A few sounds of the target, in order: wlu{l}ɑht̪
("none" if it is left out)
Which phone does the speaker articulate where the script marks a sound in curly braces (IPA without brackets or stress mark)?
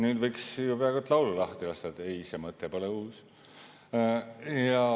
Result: l